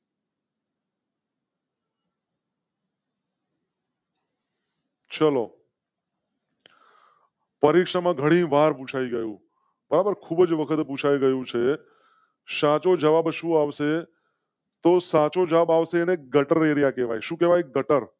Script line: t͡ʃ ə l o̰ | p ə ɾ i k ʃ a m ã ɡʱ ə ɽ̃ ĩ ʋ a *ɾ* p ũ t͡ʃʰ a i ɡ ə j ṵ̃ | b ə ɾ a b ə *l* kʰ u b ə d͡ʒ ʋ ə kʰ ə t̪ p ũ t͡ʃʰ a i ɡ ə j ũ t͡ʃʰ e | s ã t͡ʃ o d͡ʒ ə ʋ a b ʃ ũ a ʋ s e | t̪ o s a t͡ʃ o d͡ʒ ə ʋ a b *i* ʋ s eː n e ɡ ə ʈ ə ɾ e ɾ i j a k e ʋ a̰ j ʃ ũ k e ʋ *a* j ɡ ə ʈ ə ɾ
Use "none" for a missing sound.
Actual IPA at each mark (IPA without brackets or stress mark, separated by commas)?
ɾ, ɾ, a, a